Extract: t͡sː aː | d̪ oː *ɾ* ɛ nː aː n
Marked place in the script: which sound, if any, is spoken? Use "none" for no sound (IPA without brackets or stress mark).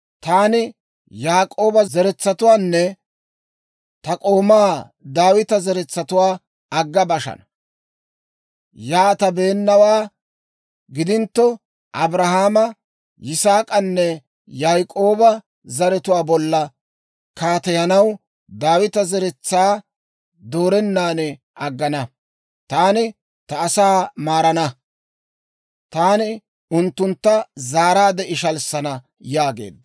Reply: ɾ